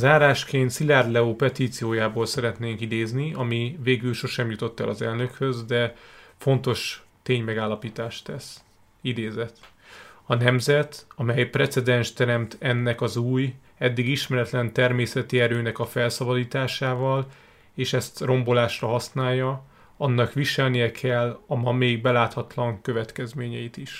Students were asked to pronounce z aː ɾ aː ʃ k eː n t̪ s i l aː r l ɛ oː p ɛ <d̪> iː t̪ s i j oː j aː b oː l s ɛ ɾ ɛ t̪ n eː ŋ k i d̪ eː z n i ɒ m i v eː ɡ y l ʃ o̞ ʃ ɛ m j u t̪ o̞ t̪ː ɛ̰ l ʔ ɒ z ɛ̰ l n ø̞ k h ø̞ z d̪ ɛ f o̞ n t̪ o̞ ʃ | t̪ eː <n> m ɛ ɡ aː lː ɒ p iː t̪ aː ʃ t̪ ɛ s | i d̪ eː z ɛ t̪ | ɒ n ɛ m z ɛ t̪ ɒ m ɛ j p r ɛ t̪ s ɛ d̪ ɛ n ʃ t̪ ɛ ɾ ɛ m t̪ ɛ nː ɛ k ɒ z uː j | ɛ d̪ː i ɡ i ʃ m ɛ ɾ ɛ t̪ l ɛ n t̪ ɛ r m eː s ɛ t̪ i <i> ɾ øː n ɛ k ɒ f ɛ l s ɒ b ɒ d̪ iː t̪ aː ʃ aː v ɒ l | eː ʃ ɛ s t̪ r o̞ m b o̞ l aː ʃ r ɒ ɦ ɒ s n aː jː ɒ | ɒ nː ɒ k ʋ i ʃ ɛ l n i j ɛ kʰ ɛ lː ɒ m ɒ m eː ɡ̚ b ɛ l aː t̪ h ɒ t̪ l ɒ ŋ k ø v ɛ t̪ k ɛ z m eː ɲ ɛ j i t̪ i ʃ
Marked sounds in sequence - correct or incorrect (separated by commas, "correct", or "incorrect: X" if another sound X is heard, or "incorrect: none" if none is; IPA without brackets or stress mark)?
incorrect: t̪, incorrect: ɲ, incorrect: ɛ